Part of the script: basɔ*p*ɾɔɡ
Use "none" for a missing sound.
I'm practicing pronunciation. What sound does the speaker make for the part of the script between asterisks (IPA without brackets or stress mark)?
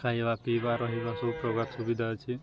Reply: p